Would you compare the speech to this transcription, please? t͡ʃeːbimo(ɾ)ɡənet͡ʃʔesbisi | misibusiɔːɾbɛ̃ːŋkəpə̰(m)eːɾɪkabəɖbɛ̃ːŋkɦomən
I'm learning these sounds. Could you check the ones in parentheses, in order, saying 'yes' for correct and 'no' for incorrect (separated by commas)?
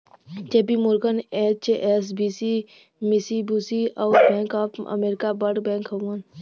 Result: yes, yes